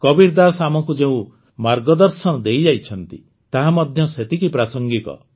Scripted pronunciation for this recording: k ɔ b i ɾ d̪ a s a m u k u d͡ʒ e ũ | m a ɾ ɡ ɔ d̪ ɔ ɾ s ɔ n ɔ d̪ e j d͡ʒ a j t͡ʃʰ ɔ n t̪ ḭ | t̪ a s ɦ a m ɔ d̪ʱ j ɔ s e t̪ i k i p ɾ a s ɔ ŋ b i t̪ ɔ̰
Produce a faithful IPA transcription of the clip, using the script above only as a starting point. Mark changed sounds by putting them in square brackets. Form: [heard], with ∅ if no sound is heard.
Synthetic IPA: k ɔ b i ɾ d̪ a s a m [ɔ] k u d͡ʒ e ũ | m a ɾ ɡ ɔ d̪ ɔ ɾ s ɔ n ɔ d̪ e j d͡ʒ a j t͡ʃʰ ɔ n t̪ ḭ | t̪ a [∅] ɦ a m ɔ d̪ʱ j ɔ s e t̪ i k i p ɾ a s ɔ ŋ [ɡ] i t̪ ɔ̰